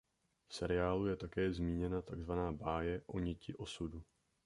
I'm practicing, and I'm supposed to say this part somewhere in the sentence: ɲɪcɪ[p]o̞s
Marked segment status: incorrect: ʔ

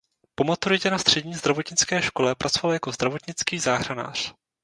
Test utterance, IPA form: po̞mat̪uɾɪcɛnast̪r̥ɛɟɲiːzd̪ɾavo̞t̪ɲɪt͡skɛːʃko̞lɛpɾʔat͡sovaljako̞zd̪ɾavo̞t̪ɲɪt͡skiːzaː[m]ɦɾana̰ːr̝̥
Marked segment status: incorrect: none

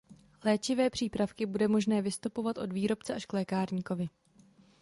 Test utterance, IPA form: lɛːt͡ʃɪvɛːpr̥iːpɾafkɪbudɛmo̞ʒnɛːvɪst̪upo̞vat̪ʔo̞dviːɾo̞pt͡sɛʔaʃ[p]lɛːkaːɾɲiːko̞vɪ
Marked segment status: incorrect: k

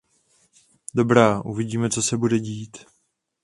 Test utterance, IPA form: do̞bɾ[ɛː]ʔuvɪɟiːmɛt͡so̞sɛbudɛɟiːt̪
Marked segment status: incorrect: aː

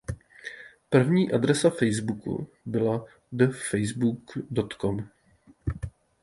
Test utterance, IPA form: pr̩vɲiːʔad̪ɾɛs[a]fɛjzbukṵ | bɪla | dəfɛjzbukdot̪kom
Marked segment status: correct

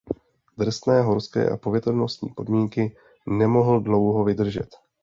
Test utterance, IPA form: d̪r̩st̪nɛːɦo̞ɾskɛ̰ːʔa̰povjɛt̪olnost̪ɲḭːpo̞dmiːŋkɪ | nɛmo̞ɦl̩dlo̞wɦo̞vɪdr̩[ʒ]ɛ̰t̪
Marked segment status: correct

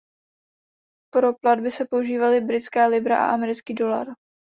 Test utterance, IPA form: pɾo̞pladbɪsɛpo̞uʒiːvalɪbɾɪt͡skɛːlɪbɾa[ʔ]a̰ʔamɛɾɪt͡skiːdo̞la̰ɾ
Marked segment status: correct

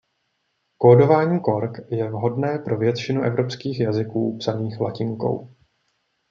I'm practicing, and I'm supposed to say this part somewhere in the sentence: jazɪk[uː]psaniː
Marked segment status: correct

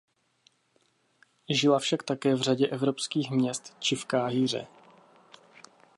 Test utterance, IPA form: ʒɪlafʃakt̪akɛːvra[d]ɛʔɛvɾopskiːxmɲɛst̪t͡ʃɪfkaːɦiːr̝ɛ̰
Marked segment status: incorrect: ɟ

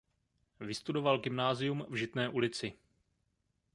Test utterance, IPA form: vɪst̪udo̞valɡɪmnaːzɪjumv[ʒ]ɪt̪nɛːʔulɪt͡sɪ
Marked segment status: correct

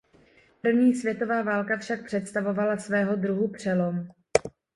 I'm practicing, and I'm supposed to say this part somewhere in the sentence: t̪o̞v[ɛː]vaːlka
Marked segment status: incorrect: aː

